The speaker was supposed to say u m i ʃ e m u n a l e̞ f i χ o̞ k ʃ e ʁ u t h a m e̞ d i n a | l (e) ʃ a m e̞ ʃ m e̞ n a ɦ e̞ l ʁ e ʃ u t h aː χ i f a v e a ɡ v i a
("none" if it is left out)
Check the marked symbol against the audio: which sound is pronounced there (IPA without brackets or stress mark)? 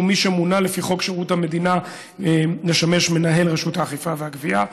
e